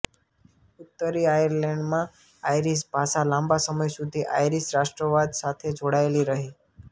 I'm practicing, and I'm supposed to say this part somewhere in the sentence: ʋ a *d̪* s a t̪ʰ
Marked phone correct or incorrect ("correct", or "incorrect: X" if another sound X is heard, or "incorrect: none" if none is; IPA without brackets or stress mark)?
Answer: correct